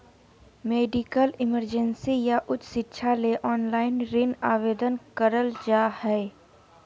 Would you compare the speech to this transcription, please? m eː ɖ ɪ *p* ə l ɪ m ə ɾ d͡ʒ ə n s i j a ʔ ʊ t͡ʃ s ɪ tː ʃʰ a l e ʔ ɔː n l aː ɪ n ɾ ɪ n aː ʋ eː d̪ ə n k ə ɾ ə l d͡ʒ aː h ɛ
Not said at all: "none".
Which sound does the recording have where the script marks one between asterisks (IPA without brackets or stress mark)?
k